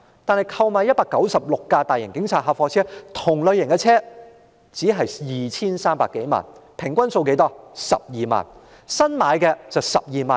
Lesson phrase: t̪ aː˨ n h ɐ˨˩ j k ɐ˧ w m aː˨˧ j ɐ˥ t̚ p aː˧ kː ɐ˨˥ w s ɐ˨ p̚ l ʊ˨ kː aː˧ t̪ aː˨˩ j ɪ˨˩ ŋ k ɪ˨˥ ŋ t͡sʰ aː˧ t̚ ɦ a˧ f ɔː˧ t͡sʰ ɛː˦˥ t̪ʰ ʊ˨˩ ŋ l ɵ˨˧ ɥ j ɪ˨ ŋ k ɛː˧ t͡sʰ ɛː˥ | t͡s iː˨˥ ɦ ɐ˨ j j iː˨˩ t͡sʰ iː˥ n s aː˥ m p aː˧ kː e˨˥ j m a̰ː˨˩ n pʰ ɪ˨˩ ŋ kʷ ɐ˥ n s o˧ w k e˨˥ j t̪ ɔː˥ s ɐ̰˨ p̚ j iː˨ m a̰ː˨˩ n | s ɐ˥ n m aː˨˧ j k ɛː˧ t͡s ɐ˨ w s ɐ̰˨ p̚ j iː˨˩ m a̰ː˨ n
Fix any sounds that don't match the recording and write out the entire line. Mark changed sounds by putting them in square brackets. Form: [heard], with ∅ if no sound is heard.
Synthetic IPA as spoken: t̪ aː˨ n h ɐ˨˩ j [kʰ] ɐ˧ w m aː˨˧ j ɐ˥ t̚ p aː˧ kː ɐ˨˥ w s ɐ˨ p̚ l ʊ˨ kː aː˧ t̪ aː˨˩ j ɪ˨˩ ŋ k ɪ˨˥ ŋ t͡sʰ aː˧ t̚ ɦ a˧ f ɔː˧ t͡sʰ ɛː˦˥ t̪ʰ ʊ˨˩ ŋ l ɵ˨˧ ɥ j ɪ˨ ŋ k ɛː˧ t͡sʰ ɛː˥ | t͡s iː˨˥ ɦ ɐ˨ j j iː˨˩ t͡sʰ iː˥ n s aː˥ m p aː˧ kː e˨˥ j m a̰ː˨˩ n pʰ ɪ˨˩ ŋ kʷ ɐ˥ n s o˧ w k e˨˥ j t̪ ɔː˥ s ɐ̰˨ p̚ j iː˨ m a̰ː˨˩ n | s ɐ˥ n m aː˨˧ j k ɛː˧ t͡s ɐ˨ w s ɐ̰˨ p̚ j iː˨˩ m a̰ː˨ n